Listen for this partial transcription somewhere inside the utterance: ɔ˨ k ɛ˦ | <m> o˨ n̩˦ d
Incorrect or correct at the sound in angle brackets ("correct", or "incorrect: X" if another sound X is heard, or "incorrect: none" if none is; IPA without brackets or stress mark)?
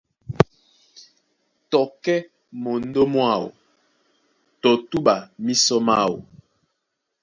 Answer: correct